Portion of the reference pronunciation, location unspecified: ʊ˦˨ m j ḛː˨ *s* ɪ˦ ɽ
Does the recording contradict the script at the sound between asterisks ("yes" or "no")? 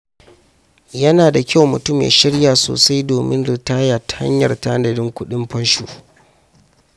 yes